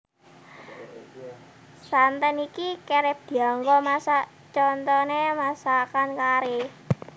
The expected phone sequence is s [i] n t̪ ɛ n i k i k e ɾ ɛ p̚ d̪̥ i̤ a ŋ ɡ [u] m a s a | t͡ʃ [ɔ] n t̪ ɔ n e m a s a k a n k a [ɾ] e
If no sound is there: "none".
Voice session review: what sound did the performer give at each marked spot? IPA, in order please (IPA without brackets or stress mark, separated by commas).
a, ɔ, ɔ, ɾ